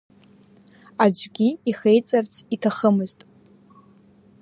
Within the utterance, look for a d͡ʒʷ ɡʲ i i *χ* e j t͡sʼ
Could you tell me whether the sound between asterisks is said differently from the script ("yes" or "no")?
no